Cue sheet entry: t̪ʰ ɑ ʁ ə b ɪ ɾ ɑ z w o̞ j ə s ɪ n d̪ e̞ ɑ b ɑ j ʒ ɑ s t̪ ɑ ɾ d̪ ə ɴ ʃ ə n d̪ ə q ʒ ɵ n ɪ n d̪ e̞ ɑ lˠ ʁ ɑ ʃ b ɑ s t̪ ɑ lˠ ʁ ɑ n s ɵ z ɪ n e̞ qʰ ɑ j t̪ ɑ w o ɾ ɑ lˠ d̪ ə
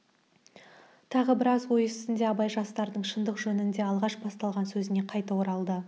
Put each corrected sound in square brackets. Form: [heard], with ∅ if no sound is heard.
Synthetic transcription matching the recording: t̪ʰ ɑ ʁ ə b ɪ ɾ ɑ z w o̞ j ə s ɪ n d̪ e̞ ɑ b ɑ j ʒ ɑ s t̪ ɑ ɾ d̪ ə ɴ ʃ ə n d̪ ə q ʒ ɵ n ɪ n d̪ e̞ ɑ lˠ ʁ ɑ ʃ b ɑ s t̪ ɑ lˠ ʁ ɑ n s ɵ z ɪ n e̞ qʰ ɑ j t̪ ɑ w o ɾ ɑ lˠ d̪ ə